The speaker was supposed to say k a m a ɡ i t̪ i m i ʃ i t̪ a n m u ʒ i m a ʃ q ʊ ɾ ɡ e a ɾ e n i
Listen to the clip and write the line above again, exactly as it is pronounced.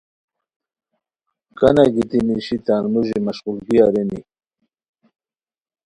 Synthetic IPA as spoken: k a n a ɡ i t̪ i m i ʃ i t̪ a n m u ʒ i m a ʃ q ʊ l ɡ i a ɾ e n i